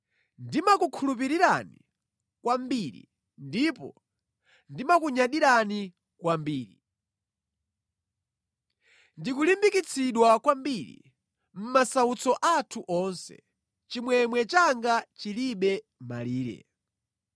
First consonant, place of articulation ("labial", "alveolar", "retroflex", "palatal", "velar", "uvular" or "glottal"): alveolar